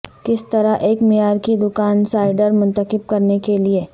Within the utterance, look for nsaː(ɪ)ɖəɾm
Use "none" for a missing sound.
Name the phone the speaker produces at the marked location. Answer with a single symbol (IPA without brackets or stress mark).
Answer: ɪ